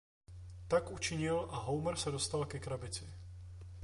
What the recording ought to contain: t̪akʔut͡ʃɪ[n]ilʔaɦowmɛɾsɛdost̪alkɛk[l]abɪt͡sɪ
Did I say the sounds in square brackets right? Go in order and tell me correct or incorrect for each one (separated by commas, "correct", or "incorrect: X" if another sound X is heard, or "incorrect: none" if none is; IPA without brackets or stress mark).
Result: incorrect: ɲ, incorrect: ɾ